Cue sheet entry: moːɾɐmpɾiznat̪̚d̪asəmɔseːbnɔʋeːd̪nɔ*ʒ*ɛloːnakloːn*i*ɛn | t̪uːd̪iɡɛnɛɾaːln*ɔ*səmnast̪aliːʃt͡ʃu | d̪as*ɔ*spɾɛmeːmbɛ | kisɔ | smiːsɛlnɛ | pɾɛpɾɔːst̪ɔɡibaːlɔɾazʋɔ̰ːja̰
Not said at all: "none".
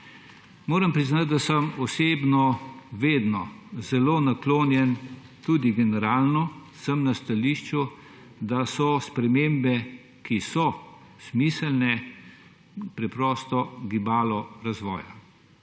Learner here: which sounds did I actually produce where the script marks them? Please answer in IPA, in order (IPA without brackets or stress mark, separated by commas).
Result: z, j, ɔ, ɔ